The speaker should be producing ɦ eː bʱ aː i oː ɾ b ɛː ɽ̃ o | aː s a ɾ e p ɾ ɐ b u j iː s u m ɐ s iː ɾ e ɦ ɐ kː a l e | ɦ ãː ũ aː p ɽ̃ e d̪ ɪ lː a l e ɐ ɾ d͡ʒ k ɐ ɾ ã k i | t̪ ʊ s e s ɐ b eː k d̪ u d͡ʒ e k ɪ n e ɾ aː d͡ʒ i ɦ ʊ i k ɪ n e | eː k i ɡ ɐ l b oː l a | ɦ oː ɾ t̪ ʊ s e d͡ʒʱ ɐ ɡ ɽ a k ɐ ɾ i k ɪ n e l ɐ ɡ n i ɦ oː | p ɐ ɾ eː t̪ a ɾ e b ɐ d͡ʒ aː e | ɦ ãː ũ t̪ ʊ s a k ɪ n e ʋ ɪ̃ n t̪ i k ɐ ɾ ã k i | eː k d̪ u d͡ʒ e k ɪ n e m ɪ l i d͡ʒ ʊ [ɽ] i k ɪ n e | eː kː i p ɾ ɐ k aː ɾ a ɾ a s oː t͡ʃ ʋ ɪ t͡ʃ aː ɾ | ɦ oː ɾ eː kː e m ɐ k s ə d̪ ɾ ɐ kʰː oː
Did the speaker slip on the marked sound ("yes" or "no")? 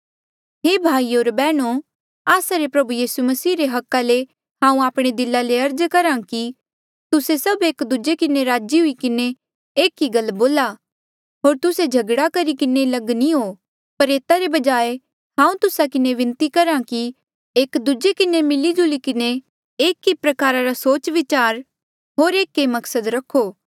yes